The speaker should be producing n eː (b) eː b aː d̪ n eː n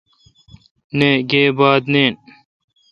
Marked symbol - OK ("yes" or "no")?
no